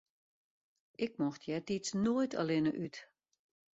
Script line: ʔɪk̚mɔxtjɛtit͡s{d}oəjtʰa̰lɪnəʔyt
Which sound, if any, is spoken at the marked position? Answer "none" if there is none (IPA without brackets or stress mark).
n